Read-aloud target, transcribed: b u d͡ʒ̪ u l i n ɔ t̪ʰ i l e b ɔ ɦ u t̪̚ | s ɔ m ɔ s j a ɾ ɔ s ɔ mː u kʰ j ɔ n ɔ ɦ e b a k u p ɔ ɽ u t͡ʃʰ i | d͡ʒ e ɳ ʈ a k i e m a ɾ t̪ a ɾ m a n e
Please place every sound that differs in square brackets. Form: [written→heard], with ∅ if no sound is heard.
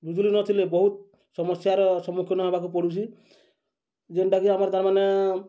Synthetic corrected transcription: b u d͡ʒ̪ u l i n ɔ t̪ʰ i l e b ɔ ɦ u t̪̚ | s ɔ m ɔ s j a ɾ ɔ s ɔ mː u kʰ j ɔ n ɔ ɦ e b a k u p ɔ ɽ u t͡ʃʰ i | d͡ʒ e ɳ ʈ a k i [e→a] m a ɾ t̪ a ɾ m a n e